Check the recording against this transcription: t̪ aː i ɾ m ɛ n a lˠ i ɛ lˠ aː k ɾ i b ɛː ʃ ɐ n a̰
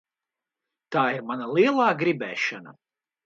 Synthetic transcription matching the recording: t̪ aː i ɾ m a n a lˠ i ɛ lˠ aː ɡ ɾ i b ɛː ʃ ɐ n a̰